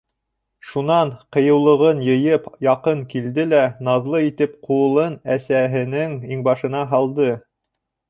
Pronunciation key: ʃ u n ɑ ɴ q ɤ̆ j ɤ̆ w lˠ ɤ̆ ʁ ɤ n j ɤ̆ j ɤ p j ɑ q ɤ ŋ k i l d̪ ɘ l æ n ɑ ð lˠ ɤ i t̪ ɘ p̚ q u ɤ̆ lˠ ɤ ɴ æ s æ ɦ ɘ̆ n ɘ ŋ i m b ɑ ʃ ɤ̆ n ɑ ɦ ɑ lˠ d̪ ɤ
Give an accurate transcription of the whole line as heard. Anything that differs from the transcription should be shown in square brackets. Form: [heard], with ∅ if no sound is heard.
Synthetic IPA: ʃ u n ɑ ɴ q ɤ̆ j ɤ̆ w lˠ ɤ̆ ʁ ɤ n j ɤ̆ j ɤ p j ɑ q ɤ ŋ k i l d̪ ɘ l æ n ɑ ð lˠ ɤ i t̪ ɘ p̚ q u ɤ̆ lˠ ɤ [n] æ s æ ɦ ɘ̆ n ɘ ŋ i [ŋ] b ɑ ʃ ɤ̆ n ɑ ɦ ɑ lˠ d̪ ɤ